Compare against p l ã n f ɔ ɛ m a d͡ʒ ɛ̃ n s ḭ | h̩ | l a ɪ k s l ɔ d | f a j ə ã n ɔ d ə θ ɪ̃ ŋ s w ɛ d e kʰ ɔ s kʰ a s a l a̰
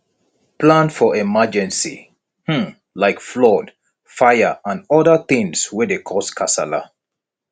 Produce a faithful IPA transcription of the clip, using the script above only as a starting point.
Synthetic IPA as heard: p l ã n f ɔ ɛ m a d͡ʒ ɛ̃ n s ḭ | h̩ | l a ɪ k f l ɔ d | f a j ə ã n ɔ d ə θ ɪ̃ ŋ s w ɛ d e kʰ ɔ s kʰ a s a l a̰